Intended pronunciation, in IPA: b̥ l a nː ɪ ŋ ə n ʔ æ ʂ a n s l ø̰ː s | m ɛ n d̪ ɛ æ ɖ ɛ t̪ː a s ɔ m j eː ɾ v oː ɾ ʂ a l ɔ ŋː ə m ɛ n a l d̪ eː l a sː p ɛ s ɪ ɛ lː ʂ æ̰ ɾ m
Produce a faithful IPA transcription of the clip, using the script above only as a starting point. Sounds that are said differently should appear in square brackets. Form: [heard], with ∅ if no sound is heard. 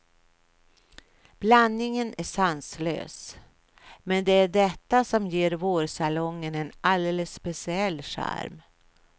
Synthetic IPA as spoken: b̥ l a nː ɪ ŋ ə n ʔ æ ʂ a n s l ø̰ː s | m ɛ n d̪ ɛ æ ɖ ɛ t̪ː a s ɔ m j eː ɾ v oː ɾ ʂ a l ɔ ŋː ə [n] ɛ n a l d̪ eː l [ə] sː p ɛ s ɪ ɛ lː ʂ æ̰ ɾ m